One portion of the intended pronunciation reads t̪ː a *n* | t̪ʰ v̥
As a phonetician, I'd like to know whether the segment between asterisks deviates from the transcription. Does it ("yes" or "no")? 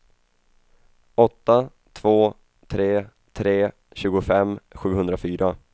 yes